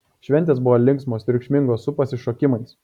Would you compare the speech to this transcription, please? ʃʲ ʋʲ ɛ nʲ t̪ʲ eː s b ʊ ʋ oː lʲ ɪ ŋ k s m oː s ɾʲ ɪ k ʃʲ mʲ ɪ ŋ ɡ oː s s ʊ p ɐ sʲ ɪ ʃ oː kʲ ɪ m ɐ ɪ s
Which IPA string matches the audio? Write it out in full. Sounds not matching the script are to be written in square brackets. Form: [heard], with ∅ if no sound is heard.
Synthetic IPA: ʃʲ ʋʲ ɛ nʲ t̪ʲ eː s b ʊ ʋ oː lʲ ɪ ŋ k s m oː s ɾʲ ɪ k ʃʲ mʲ ɪ ŋ ɡ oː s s ʊ p ɐ sʲ ɪ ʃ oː kʲ ɪ m ɐ ɪ s